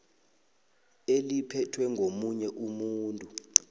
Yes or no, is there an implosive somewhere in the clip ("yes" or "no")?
no